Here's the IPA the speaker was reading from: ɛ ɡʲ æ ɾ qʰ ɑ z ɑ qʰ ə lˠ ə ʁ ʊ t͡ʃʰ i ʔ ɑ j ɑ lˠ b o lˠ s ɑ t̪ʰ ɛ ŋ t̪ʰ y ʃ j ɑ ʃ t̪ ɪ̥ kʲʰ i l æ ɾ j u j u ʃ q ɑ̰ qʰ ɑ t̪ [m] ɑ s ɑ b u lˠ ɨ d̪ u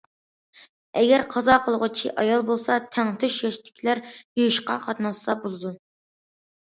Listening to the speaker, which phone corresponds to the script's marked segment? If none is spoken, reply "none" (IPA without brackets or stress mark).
n